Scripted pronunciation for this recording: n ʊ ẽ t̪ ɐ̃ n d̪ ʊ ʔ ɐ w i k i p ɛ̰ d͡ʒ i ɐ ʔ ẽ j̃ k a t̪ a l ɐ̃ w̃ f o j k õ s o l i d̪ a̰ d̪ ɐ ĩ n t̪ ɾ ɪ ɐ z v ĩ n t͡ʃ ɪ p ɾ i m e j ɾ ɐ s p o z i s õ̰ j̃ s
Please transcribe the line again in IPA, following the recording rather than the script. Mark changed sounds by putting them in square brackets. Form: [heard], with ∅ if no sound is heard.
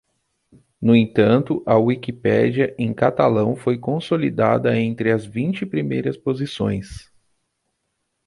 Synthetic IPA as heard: n ʊ ẽ t̪ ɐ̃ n [t̪] ʊ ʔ ɐ w i k i p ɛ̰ d͡ʒ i ɐ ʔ ẽ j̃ k a t̪ a l ɐ̃ w̃ f o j k õ s o l i d̪ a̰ d̪ ɐ [ẽ] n t̪ ɾ ɪ ɐ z v ĩ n t͡ʃ ɪ p ɾ i m e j ɾ ɐ s p o z i s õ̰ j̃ s